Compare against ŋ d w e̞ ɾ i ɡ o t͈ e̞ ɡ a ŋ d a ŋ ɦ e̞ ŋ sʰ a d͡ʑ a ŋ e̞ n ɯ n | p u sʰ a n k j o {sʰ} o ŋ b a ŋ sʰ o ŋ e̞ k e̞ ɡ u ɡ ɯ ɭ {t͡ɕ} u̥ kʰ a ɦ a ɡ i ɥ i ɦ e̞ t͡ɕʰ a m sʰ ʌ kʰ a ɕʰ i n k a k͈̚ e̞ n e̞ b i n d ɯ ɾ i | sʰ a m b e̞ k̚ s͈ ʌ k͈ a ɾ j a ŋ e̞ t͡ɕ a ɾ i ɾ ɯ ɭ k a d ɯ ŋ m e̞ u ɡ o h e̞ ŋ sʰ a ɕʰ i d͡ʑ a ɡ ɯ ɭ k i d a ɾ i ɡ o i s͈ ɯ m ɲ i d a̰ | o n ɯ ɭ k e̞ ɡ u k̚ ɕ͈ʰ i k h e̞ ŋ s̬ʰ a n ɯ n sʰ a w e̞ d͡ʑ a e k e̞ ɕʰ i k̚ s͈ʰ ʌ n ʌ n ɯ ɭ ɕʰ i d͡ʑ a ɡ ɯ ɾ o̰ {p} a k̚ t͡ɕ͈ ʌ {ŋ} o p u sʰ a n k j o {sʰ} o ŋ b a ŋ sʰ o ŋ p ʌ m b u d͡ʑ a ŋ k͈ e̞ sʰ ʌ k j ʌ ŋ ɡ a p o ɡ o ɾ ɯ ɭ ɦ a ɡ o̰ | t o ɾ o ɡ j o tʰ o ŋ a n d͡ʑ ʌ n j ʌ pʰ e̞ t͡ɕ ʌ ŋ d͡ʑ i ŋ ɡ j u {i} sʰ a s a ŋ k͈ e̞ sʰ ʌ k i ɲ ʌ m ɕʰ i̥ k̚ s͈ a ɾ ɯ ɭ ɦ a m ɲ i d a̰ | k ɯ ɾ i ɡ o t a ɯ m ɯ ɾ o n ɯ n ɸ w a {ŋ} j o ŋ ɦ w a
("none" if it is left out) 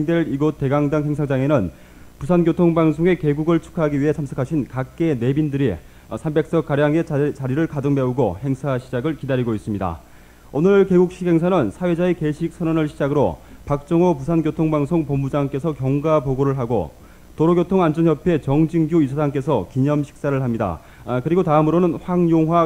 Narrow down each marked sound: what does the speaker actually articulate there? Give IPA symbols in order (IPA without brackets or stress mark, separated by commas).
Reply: tʰ, t͡ɕʰ, p, ŋ, tʰ, i, ŋ